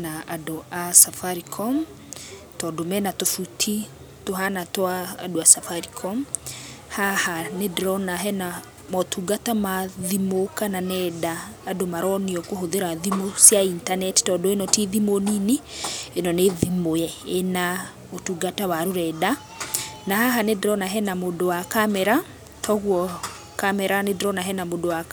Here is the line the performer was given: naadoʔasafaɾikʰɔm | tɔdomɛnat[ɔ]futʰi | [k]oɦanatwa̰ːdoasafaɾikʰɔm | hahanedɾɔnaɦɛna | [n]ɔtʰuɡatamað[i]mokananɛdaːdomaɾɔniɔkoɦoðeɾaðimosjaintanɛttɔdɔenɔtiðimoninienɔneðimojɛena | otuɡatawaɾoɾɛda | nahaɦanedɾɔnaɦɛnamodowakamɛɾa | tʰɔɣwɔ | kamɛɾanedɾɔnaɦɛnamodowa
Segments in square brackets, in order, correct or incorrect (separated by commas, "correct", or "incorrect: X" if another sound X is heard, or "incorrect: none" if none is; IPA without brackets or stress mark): incorrect: o, incorrect: t, incorrect: m, correct